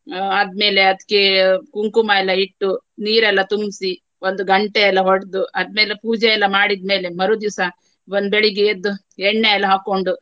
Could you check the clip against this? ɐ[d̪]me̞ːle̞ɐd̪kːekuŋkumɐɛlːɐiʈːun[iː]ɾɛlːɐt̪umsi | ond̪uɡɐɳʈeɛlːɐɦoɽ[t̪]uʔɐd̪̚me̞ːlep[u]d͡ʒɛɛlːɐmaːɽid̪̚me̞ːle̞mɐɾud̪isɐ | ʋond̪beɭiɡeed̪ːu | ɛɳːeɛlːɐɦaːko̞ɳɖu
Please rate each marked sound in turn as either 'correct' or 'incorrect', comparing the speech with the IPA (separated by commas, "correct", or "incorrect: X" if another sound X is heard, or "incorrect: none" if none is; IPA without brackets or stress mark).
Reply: correct, correct, incorrect: d̪, incorrect: uː